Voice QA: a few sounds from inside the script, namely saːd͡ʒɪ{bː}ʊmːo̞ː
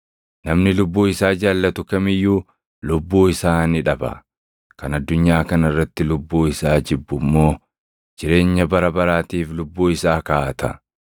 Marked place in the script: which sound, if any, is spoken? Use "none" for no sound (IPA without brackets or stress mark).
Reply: bː